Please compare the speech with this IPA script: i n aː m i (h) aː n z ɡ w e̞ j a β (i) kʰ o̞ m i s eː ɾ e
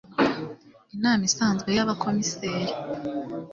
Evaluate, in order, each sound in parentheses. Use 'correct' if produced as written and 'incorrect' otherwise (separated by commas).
incorrect, incorrect